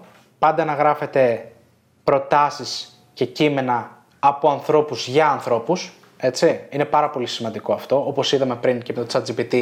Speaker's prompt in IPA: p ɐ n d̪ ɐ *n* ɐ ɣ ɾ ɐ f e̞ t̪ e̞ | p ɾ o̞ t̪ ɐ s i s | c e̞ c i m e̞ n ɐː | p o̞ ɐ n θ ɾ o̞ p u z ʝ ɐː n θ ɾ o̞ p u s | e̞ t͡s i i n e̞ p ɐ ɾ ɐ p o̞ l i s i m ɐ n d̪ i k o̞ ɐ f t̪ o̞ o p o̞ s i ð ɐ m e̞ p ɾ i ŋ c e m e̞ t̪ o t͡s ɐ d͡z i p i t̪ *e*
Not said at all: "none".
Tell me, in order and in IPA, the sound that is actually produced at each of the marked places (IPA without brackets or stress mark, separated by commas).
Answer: n, i